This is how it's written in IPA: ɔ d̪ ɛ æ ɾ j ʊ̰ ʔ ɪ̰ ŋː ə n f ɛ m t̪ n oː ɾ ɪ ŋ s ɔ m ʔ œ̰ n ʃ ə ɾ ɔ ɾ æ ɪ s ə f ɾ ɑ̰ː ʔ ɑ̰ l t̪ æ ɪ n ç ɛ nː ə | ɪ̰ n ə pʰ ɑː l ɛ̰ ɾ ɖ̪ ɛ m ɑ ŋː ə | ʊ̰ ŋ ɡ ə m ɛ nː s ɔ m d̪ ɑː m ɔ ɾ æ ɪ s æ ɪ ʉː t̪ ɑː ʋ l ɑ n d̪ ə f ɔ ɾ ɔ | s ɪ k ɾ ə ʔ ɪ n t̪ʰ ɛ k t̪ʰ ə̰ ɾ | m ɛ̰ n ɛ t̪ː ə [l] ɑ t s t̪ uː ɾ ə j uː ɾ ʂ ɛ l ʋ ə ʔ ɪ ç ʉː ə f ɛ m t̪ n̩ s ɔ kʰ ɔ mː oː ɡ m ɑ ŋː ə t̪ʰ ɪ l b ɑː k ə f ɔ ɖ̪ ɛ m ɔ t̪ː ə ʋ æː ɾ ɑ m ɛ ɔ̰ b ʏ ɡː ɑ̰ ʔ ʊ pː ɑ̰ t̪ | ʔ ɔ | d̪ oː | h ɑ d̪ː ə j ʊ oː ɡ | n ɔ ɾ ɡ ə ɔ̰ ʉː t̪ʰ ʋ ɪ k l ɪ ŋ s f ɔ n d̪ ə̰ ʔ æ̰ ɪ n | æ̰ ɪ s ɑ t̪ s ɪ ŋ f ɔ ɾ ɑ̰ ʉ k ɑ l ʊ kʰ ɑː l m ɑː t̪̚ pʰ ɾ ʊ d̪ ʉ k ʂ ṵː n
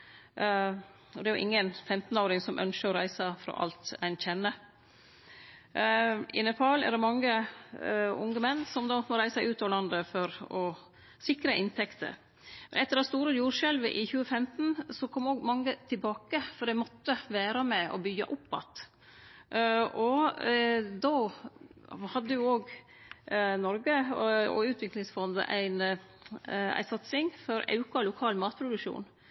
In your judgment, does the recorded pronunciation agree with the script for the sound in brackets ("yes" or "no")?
no